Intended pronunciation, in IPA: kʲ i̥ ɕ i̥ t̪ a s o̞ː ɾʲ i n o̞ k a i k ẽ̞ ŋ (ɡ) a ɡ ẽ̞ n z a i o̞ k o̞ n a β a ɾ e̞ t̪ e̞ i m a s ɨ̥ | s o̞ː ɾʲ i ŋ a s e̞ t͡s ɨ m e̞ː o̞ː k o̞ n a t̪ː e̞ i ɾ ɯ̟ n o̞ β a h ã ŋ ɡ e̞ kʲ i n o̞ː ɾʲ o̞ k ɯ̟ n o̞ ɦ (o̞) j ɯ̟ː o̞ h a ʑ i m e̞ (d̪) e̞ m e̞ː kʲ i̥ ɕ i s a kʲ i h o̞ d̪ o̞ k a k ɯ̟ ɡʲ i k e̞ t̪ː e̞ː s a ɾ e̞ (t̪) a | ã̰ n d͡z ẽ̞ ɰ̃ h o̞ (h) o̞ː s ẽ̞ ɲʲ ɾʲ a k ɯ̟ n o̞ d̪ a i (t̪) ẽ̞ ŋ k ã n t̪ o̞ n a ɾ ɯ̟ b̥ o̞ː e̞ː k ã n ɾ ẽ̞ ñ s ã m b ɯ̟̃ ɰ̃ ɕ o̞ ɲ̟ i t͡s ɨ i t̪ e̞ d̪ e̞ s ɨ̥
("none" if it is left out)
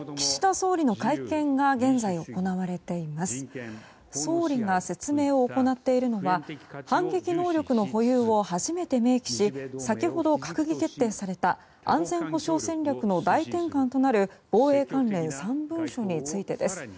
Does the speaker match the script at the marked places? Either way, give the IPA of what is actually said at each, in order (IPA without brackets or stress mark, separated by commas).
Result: ɡ, o̞, t̪, t̪, ɕ, t̪